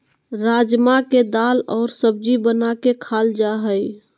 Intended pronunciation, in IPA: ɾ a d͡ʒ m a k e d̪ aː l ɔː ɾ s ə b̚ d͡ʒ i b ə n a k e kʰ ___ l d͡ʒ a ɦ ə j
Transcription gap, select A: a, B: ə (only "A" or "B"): A